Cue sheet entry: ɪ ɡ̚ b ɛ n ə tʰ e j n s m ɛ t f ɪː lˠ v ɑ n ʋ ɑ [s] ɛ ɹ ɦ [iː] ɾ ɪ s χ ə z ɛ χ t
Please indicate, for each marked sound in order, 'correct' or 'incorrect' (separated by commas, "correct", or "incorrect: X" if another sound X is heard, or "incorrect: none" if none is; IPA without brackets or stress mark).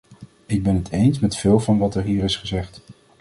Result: incorrect: t, correct